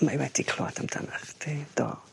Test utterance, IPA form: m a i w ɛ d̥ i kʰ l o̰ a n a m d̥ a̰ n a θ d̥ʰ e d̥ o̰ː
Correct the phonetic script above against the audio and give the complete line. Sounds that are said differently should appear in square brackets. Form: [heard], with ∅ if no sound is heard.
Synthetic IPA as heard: m a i w ɛ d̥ i kʰ l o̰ a [d] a m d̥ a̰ n a [χ] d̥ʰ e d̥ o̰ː

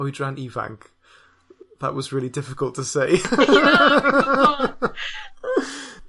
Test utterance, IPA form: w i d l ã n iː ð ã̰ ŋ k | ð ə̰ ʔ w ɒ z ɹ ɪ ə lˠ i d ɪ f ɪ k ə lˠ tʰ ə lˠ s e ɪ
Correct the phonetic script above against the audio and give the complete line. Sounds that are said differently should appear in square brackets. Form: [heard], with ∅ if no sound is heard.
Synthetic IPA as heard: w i d [ɹ] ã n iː [v] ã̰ ŋ k | ð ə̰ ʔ w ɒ z ɹ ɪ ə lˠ i d ɪ f ɪ k ə lˠ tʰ ə [∅] s e ɪ

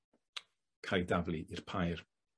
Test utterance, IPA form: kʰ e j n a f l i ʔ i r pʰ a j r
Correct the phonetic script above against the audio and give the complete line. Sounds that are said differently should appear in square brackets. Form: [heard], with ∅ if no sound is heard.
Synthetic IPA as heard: kʰ [a] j [d] a [v] l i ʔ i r pʰ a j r

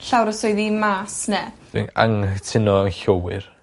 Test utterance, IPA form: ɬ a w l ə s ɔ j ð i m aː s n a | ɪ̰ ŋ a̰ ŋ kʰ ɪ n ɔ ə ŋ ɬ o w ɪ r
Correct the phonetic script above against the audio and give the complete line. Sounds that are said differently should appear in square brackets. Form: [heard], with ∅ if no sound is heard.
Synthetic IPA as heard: ɬ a w [ɾ] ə s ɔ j ð i m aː s n [ɛ] | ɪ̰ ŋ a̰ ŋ [tʰ] ɪ n ɔ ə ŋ ɬ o w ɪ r

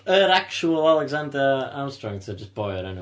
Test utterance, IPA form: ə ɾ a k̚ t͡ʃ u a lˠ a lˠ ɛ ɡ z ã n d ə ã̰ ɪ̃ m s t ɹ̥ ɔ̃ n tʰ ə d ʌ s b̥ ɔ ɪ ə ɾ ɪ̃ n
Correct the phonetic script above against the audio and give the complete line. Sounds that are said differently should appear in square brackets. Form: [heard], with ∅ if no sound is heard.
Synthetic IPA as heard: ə ɾ a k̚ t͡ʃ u [ə] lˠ a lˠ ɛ ɡ z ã n d ə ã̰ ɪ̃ m s t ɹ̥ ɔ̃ [ŋ] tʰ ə [d͡ʒ] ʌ s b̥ ɔ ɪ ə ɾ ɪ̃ n

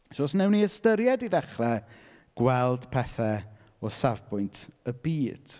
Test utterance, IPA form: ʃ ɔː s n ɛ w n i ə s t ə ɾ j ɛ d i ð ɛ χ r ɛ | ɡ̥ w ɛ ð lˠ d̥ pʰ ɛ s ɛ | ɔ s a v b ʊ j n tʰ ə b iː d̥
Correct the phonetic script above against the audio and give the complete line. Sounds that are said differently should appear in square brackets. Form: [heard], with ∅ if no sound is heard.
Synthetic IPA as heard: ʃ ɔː s n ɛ w n i ə s t ə ɾ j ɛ d i ð ɛ χ r ɛ | ɡ̥ w ɛ [∅] lˠ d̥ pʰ ɛ [θ] ɛ | ɔ s a v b ʊ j n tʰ ə b iː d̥

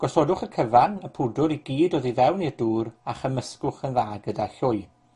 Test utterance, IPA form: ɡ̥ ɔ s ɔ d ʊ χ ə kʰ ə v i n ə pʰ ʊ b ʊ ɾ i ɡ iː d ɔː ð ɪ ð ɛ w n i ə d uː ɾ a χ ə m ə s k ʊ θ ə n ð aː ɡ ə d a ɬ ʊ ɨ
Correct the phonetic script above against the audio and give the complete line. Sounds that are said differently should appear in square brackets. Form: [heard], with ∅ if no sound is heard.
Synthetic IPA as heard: ɡ̥ ɔ s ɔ d ʊ χ ə kʰ ə v [a] n ə pʰ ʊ [d] ʊ ɾ i ɡ iː d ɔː ð [i] ð ɛ w n i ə d uː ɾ a χ ə m ə s k ʊ [χ] ə n ð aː ɡ ə d a ɬ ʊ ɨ

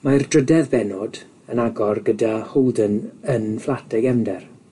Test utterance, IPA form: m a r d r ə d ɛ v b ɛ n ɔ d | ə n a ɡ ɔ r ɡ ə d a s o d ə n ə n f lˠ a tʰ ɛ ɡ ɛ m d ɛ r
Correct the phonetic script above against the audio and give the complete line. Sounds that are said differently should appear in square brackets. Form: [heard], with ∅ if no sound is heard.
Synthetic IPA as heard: m a r d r ə d ɛ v b ɛ n ɔ d | ə n a ɡ ɔ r ɡ ə d a [h] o d ə n ə n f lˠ a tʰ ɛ ɡ ɛ m d ɛ r

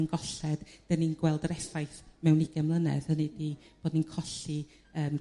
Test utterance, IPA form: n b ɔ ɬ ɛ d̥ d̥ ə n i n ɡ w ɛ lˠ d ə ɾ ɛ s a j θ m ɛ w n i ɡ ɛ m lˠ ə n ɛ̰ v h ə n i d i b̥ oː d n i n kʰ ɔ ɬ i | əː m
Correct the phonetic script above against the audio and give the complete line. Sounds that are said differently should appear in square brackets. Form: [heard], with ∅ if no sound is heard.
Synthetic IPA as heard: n [ɡ] ɔ ɬ ɛ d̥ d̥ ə n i n ɡ w ɛ lˠ d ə ɾ ɛ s a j θ m ɛ w n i ɡ ɛ m lˠ ə n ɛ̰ [ð] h ə n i d i b̥ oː d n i n kʰ ɔ ɬ i | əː m

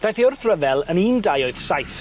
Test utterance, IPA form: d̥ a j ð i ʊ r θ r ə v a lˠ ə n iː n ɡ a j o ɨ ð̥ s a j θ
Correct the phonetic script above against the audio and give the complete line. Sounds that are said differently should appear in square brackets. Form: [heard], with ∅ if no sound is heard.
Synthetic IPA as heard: d̥ a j [θ] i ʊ r θ r ə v [ɛ] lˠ ə n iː n [d] a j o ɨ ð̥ s a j θ

